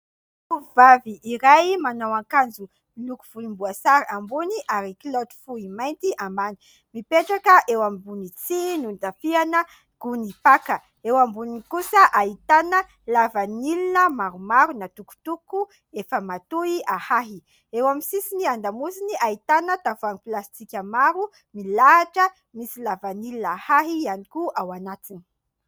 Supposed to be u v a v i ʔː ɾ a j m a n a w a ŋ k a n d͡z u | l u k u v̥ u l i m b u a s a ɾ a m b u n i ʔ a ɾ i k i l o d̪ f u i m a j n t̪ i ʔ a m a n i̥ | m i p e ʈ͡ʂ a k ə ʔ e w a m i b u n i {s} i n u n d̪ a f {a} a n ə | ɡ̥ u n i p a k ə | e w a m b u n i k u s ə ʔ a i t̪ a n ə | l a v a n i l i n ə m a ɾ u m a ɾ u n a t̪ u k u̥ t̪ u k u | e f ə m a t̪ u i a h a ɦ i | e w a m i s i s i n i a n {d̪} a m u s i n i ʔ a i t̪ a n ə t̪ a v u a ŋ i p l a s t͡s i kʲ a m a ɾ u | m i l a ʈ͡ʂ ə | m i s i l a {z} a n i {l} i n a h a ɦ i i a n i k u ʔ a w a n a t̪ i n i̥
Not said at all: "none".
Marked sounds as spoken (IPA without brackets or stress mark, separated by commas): t͡s, i, d̪, v, l